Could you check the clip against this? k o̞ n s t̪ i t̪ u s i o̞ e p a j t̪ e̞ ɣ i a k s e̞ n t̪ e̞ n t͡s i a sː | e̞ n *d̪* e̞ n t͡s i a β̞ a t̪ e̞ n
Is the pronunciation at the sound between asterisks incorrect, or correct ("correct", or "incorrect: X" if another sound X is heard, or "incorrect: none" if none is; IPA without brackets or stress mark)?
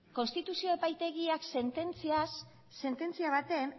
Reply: incorrect: t̪